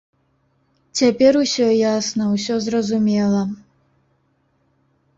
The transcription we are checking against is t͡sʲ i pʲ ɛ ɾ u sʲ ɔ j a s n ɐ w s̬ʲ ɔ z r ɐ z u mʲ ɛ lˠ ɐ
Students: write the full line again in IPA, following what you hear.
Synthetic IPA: t͡sʲ a pʲ ɛ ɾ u sʲ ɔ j a s n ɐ w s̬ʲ ɔ z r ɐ z u mʲ ɛ lˠ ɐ